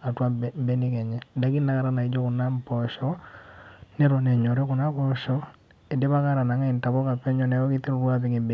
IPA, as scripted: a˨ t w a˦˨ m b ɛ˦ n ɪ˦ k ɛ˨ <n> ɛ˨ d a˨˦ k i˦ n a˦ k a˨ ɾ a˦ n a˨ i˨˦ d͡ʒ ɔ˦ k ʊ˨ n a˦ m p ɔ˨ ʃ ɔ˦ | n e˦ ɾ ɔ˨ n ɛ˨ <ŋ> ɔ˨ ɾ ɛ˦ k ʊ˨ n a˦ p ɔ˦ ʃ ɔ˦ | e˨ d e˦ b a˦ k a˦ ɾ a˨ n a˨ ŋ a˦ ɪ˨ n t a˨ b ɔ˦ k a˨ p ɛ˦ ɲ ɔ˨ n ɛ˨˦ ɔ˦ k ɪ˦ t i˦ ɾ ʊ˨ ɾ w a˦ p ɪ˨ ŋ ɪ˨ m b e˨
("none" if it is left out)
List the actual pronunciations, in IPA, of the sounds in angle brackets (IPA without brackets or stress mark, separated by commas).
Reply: ɲ, ɲ